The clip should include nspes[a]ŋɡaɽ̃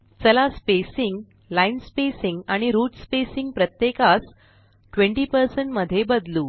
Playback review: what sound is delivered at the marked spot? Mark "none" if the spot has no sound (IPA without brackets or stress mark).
i